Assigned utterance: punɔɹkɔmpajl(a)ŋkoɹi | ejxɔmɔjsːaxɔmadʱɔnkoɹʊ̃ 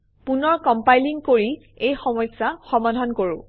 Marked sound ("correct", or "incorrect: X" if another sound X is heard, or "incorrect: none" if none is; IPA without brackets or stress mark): incorrect: i